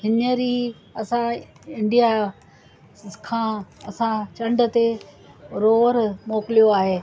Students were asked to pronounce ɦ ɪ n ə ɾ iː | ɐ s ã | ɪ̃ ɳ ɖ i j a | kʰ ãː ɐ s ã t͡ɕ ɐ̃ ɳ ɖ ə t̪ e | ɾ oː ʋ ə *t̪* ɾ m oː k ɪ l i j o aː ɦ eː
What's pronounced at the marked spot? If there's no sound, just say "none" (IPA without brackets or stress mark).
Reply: none